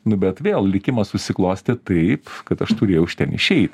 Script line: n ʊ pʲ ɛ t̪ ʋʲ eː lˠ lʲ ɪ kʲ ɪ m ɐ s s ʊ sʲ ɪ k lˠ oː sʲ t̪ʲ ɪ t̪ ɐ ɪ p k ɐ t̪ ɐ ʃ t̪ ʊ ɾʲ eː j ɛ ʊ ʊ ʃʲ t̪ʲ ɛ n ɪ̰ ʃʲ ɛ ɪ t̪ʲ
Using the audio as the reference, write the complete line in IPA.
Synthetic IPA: n ʊ bʲ ɛ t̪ ʋʲ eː lˠ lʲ ɪ kʲ ɪ m ɐ s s ʊ sʲ ɪ k lˠ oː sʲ t̪ʲ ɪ t̪ ɐ ɪ p k ɐ t̪ ɐ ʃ t̪ ʊ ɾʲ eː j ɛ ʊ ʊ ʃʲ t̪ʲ ɛ n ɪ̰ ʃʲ ɛ ɪ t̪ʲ